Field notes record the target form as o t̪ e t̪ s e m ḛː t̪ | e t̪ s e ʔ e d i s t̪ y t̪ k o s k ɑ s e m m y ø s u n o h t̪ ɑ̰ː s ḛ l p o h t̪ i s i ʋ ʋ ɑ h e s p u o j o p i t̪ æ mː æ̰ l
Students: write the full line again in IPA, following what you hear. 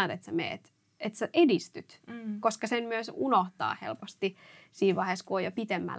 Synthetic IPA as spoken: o t̪ e t̪ s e m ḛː t̪ | e t̪ s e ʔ e d i s t̪ y t̪ k o s k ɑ s e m m y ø s u n o h t̪ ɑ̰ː h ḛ l p o s t̪ i s iː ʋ ʋ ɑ h e s k u o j o p i t̪ e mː æ̰ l